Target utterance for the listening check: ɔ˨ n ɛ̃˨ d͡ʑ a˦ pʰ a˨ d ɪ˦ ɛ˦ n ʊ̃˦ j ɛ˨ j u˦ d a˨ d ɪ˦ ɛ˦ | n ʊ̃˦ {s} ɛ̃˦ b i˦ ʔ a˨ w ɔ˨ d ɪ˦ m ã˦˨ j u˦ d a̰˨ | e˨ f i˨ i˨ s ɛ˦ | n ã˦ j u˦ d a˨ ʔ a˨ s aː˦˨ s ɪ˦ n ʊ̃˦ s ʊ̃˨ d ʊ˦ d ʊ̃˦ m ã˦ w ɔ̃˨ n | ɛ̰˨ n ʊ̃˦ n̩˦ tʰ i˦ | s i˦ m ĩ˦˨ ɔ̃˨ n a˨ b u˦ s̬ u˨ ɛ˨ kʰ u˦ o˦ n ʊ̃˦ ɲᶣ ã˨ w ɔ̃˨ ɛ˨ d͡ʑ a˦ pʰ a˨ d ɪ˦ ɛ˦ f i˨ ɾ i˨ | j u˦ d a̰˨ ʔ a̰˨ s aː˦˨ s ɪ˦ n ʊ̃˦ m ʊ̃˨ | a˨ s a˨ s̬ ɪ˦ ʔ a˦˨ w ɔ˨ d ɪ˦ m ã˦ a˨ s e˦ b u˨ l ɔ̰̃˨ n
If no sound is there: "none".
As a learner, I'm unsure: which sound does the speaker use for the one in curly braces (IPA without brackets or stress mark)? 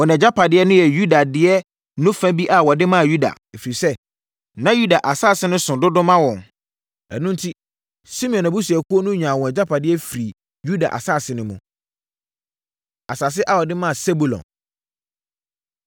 f